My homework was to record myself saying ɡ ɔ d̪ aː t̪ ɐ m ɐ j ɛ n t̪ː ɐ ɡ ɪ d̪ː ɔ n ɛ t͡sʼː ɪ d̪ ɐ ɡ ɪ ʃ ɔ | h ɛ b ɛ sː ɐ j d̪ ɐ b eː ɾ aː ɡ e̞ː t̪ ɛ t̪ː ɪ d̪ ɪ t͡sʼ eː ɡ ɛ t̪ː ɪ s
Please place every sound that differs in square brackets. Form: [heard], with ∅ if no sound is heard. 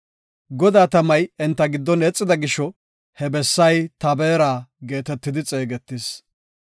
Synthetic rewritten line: ɡ ɔ d̪ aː t̪ ɐ m ɐ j ɛ n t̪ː ɐ ɡ ɪ d̪ː ɔ n ɛ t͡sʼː ɪ d̪ ɐ ɡ ɪ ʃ ɔ | h ɛ b ɛ sː ɐ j [t̪] ɐ b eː ɾ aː ɡ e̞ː t̪ ɛ t̪ː ɪ d̪ ɪ t͡sʼ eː ɡ ɛ t̪ː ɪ s